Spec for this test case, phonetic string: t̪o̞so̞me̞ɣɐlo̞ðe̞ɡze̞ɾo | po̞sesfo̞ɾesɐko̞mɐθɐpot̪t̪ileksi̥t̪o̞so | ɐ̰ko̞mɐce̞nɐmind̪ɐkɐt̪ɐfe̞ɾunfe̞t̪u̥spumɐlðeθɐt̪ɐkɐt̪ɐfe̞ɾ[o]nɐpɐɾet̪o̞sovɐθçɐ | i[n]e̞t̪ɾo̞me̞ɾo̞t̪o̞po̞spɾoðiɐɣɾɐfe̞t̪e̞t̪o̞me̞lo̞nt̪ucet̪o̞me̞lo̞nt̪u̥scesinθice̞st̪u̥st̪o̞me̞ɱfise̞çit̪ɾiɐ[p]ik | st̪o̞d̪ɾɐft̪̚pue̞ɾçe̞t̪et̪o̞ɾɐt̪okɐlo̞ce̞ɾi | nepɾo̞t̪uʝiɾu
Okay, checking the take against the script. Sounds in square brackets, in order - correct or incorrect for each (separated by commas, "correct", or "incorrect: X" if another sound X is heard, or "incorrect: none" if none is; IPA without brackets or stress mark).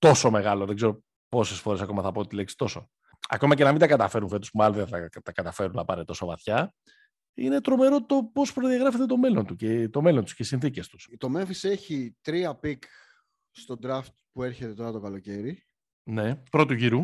incorrect: u, correct, correct